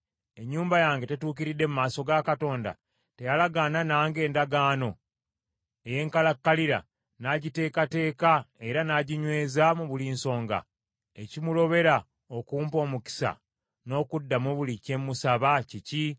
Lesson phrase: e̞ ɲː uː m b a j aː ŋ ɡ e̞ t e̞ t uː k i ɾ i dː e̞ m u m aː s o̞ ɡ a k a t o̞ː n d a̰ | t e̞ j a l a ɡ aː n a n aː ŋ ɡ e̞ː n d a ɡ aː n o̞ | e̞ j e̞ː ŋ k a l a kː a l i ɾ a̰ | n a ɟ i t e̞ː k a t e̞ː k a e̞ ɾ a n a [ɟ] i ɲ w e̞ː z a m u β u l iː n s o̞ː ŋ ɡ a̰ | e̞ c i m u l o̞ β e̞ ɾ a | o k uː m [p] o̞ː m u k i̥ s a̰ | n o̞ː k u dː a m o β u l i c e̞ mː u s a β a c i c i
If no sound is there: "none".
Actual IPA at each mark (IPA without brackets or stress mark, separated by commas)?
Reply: ɟ, p